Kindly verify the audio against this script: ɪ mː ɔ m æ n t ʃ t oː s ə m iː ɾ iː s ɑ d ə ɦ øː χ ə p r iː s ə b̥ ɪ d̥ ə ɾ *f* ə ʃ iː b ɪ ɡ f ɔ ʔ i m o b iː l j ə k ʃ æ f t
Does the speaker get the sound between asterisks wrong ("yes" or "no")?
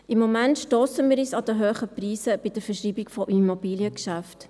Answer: no